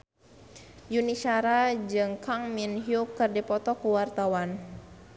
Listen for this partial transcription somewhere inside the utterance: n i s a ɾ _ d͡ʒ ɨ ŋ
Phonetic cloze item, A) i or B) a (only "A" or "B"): B